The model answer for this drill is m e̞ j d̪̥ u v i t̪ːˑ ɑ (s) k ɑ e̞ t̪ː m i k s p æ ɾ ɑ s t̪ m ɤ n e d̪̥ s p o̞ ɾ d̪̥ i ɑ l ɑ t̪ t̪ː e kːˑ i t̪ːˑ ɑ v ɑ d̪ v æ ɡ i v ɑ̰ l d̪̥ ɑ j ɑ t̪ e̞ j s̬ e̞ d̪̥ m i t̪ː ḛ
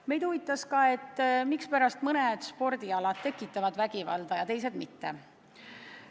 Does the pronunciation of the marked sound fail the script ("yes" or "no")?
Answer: no